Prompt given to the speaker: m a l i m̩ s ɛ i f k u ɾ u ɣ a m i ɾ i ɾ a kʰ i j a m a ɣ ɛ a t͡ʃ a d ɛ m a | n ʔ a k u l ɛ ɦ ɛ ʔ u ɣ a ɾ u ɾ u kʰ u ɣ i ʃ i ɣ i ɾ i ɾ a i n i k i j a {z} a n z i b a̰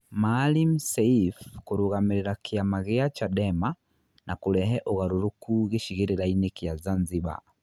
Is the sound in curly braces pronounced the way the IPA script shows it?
yes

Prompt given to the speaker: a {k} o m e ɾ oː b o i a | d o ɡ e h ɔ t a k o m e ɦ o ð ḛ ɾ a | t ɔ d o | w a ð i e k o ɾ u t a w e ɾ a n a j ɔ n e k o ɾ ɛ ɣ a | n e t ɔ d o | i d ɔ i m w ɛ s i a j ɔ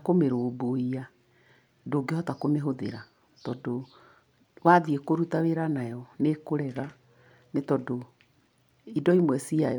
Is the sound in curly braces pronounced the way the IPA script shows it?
yes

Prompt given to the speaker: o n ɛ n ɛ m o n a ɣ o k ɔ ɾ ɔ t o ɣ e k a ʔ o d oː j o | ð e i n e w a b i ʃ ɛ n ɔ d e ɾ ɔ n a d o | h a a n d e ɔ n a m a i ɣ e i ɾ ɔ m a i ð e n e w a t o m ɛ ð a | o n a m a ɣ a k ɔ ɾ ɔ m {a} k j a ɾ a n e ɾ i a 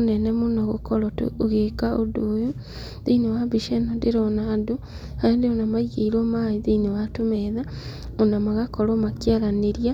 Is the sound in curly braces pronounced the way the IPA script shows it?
yes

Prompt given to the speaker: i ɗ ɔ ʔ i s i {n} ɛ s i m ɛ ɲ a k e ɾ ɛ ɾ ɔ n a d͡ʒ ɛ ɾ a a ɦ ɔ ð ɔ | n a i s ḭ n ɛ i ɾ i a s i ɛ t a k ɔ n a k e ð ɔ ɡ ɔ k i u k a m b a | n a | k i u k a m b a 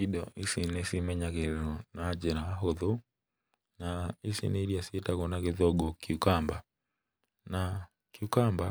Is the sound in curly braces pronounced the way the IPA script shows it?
yes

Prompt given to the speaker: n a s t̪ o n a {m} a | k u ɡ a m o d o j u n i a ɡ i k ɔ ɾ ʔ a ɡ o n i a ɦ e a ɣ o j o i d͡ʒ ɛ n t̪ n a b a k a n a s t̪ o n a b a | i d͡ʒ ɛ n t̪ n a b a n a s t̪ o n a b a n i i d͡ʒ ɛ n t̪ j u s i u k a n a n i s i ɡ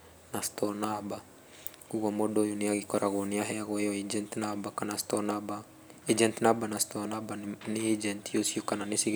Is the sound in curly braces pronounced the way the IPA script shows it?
no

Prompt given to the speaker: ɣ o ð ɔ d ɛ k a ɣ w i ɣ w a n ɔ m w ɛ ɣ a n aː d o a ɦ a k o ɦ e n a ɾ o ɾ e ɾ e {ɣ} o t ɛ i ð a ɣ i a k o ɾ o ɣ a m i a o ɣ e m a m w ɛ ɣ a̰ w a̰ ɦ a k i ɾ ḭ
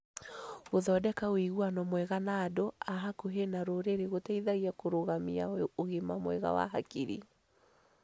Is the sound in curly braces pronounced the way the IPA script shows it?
yes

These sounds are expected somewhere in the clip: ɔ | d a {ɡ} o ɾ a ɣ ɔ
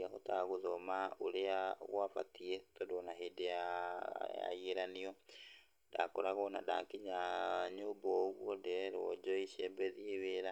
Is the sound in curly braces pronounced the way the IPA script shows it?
no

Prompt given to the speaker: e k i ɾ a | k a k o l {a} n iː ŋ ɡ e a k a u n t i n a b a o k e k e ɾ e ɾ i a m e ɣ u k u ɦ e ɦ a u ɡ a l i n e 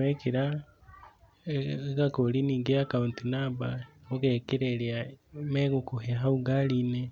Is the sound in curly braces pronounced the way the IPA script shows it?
no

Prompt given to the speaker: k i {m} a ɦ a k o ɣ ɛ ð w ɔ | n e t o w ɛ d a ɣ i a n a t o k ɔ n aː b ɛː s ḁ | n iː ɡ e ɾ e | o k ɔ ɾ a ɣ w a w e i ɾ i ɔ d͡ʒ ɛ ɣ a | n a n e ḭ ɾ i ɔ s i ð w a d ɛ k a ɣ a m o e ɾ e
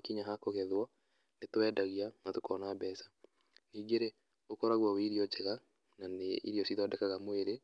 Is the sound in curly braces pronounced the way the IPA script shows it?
no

